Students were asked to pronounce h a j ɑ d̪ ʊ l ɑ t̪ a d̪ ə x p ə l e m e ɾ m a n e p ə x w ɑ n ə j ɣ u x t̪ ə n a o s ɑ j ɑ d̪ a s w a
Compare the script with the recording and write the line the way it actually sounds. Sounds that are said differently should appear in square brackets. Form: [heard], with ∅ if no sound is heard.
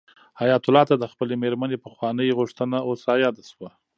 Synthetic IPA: h a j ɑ [t̪] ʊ l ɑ t̪ a d̪ ə x p ə l e m e ɾ m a n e p ə x w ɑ n ə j ɣ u [ʂ] t̪ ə n a o s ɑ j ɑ d̪ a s w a